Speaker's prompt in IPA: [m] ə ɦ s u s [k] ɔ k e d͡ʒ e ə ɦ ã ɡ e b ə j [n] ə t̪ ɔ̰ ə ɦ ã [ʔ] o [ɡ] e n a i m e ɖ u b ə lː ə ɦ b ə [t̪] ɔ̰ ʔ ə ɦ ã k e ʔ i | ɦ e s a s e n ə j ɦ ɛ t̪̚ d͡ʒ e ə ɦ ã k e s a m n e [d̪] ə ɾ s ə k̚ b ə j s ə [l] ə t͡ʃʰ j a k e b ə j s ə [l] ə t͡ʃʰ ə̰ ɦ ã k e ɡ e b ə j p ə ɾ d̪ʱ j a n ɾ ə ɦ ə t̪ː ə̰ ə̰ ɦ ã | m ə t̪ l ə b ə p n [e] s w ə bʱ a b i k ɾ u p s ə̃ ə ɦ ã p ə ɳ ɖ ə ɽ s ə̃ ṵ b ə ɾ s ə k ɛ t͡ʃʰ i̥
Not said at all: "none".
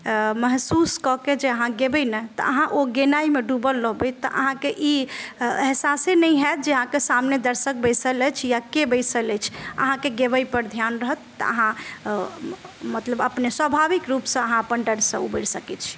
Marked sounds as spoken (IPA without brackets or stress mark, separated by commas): m, k, n, ʔ, ɡ, t̪, d̪, l, l, e